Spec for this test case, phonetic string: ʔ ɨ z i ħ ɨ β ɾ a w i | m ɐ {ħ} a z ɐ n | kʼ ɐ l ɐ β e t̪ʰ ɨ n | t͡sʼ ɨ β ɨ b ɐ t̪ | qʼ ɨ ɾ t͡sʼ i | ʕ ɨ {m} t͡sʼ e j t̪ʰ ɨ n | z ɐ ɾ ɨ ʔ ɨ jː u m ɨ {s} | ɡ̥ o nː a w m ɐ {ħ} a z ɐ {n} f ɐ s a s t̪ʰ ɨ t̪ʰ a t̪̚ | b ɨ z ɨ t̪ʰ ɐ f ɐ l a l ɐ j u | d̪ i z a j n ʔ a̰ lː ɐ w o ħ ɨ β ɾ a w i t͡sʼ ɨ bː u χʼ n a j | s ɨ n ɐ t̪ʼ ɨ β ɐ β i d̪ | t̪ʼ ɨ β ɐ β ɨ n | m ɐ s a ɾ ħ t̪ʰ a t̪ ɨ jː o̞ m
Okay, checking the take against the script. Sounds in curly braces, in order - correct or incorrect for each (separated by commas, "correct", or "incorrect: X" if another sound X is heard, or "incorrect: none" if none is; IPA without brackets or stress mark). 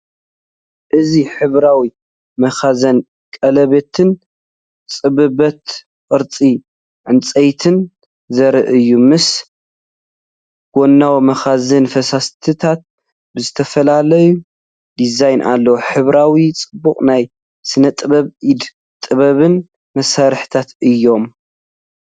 incorrect: x, incorrect: n, correct, incorrect: x, correct